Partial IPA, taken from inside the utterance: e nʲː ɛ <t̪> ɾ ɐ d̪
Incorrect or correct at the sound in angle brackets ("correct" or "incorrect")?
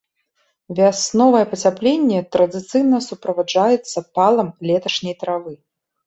correct